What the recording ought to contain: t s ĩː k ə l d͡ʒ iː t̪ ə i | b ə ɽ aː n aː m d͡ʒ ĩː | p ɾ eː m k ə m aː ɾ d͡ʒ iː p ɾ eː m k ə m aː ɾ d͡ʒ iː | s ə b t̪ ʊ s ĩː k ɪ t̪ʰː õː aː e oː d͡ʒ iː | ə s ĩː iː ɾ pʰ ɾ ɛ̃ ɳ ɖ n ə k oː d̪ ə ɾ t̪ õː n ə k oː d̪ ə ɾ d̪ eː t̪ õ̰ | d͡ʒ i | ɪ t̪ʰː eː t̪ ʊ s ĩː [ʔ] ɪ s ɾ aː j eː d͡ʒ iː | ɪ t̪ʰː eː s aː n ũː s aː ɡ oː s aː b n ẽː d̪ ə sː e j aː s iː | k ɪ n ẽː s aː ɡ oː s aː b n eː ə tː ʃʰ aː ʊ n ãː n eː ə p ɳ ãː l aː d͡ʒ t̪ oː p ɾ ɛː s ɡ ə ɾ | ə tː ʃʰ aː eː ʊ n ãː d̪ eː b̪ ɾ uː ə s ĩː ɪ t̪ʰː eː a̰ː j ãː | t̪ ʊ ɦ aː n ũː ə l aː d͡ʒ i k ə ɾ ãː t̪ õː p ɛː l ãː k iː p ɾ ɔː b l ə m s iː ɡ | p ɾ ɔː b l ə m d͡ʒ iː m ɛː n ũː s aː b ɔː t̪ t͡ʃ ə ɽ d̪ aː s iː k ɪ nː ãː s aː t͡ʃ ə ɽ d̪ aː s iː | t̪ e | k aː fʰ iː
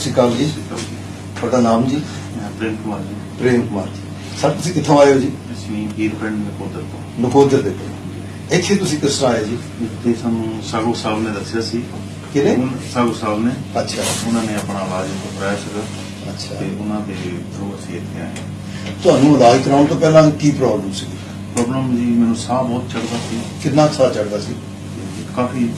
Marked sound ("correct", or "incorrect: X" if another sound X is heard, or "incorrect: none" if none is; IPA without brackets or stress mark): incorrect: k